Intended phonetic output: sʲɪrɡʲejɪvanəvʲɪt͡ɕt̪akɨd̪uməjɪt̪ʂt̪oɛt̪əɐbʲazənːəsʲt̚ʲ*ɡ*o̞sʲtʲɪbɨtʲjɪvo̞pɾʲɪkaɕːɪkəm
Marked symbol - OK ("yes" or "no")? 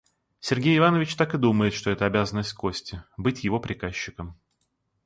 no